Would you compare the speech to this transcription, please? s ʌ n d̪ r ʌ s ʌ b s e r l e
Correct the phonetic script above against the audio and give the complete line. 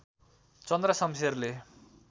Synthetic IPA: t͡s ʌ n d̪ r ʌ s ʌ m s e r l e